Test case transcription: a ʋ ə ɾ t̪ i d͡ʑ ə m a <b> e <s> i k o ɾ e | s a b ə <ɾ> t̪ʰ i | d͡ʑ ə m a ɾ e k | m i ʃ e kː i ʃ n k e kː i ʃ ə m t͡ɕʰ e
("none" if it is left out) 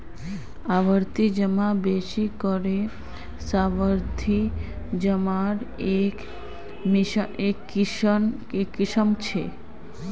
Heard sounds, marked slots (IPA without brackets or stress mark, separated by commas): b, ʃ, ɾ